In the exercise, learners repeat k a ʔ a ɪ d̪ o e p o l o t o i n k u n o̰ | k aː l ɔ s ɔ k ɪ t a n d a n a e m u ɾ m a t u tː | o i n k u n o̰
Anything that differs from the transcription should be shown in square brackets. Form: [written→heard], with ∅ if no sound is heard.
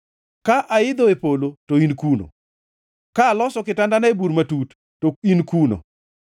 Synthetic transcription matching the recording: k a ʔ a ɪ d̪ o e p o l o t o i n k u n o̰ | k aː l ɔ s ɔ k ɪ t a n d a n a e [m→b] u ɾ m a t u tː | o i n k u n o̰

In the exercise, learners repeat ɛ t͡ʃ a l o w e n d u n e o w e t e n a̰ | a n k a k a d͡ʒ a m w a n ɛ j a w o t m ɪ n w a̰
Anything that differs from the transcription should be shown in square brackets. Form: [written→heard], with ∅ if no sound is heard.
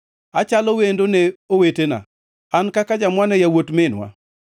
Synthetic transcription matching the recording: [ɛ→a] t͡ʃ a l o w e n d [u→o] n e o w e t e n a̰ | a n k a k a d͡ʒ a m w a n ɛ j a w o t m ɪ n w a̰

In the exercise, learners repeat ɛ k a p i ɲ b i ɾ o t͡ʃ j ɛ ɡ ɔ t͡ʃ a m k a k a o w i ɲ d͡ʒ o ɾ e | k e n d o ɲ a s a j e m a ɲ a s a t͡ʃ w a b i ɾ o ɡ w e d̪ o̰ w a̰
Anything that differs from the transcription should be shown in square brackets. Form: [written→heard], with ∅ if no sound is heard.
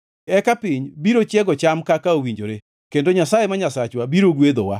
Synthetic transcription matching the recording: ɛ k a p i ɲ b i ɾ o t͡ʃ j ɛ ɡ ɔ t͡ʃ a m k a k a o w i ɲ d͡ʒ o ɾ e | k e n d o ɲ a s a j e m a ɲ a s a t͡ʃ w a b i ɾ o ɡ w e d̪ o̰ w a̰

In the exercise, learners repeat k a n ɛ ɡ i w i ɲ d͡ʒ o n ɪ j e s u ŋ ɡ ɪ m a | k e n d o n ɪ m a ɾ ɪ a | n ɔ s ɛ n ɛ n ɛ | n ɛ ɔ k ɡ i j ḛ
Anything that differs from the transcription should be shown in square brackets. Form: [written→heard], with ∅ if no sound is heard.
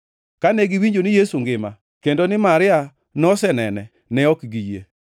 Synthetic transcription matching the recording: k a n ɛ ɡ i w i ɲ d͡ʒ o n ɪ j e s u ŋ ɡ ɪ m a | k e n d o n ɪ m a ɾ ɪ a | n ɔ s ɛ n ɛ n ɛ | n ɛ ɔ k ɡ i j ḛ

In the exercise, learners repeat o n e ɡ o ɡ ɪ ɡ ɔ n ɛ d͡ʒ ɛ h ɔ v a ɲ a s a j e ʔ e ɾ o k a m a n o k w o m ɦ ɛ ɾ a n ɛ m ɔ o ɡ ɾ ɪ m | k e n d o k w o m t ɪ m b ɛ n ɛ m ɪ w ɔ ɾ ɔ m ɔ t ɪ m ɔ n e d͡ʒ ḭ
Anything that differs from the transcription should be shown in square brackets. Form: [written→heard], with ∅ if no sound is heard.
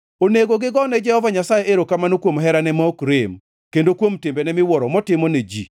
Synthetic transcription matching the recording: o n e ɡ o ɡ ɪ ɡ ɔ n ɛ d͡ʒ ɛ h ɔ v a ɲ a s a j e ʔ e ɾ o k a m a n o k w o m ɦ ɛ ɾ a n ɛ m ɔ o [ɡ→k] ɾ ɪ m | k e n d o k w o m t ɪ m b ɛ n ɛ m ɪ w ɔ ɾ ɔ m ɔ t ɪ m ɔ n e d͡ʒ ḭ

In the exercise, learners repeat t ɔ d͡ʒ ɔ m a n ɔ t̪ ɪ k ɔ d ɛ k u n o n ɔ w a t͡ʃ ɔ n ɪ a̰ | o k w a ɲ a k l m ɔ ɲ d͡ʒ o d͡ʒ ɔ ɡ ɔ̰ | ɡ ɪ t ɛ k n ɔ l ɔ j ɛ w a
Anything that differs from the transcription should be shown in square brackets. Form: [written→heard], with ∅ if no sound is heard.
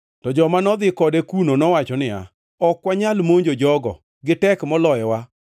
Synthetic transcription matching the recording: t ɔ d͡ʒ ɔ m a n ɔ [t̪→d̪] ɪ k ɔ d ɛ k u n o n ɔ w a t͡ʃ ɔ n ɪ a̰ | [o→ɔ] k w a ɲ a [k→∅] l m [ɔ→o] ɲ d͡ʒ o d͡ʒ ɔ ɡ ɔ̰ | ɡ ɪ t ɛ k [n→m] ɔ l ɔ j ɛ w a

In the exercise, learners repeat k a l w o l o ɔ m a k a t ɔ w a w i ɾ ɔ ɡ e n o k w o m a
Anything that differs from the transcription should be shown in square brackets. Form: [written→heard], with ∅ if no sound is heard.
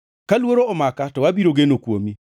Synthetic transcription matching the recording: k a l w o [l→ɾ] o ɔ m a k a t ɔ w a [w→b] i ɾ [ɔ→o] ɡ e n o k w o m [a→i]

